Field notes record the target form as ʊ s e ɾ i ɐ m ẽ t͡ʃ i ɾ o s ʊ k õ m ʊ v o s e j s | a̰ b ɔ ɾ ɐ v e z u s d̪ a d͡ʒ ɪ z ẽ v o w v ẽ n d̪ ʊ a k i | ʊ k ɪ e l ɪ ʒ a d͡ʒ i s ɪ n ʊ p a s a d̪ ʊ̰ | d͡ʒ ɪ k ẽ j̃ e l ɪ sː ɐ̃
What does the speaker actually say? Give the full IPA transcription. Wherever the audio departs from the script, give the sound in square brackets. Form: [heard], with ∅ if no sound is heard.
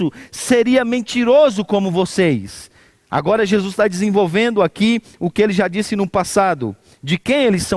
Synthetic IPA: ʊ s e ɾ i ɐ m ẽ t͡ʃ i ɾ o [z] ʊ k õ m ʊ v o s e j s | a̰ [ɡ] ɔ ɾ ɐ [ʒ] e z u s [t̪] a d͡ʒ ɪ z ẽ v o w v ẽ n d̪ ʊ a k i | ʊ k ɪ e l ɪ ʒ a d͡ʒ i s ɪ n ʊ p a s a d̪ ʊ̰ | d͡ʒ ɪ k ẽ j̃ e l ɪ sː ɐ̃